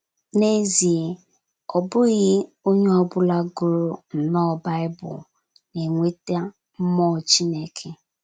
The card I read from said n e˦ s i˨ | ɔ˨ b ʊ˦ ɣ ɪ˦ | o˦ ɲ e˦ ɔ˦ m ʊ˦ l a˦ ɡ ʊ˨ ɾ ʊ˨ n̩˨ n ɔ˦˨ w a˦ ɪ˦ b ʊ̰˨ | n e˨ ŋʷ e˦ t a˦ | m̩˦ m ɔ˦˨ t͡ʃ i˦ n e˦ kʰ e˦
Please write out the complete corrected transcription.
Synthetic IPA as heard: n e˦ z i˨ | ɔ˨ b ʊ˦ ɣ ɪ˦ | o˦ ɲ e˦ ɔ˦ b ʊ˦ l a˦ ɡ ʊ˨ ɾ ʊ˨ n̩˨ n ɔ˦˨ b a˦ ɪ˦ b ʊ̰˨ | n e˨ ŋʷ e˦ t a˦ | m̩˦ m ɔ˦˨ t͡ʃ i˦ n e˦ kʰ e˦